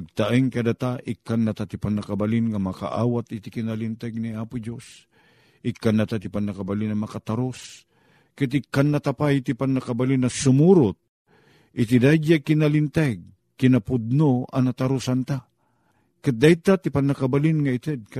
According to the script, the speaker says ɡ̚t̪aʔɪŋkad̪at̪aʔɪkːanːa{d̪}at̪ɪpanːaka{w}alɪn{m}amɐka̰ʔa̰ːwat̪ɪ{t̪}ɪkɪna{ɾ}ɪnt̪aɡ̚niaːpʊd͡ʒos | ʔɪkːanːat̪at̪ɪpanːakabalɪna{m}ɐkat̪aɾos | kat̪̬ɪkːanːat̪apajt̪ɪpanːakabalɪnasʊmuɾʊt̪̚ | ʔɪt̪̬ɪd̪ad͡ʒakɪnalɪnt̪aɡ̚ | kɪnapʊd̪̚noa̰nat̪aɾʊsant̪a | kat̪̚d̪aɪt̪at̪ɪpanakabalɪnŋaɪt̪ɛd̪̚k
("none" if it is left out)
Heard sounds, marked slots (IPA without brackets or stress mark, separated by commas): t̪, b, ŋ, t̪, l, m